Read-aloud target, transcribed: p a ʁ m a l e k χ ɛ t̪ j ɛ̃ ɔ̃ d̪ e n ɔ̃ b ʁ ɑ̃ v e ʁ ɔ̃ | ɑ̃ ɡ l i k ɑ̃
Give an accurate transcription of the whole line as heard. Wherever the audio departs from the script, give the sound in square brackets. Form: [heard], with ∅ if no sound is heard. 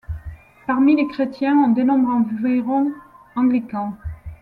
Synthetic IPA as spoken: p a ʁ m [i] l e k χ [e] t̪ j ɛ̃ ɔ̃ d̪ e n ɔ̃ b ʁ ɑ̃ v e ʁ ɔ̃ | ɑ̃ ɡ l i k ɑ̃